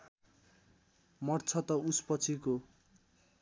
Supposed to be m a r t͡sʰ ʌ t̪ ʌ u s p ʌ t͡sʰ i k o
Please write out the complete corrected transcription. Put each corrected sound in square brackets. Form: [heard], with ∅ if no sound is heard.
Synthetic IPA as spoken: m [ʌ] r t͡sʰ ʌ t̪ ʌ u s p ʌ t͡sʰ i k o